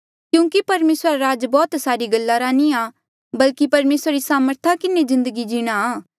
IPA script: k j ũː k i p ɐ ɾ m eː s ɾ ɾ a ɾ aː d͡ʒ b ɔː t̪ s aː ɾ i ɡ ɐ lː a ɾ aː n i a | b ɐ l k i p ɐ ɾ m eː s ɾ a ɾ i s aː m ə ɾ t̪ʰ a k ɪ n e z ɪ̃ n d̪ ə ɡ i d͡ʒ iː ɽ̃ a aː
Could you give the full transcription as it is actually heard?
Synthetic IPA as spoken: k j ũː k i p ɐ ɾ m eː s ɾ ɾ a ɾ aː d͡ʒ b ɔː t̪ s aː ɾ i ɡ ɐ lː a ɾ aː n i a | b ɐ l k i p ɐ ɾ m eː s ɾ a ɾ i s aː m ə ɾ t̪ʰ a k ɪ n e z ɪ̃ n d̪ ə ɡ i d͡ʒ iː ɽ̃ a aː